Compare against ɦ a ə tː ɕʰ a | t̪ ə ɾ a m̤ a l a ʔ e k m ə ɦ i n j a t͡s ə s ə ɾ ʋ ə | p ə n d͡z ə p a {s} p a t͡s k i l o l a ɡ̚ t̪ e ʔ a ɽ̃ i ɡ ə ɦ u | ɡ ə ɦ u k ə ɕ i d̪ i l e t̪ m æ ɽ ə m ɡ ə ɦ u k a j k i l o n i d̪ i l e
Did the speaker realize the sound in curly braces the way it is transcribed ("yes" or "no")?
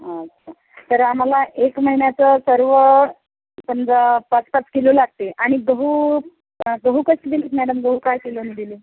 no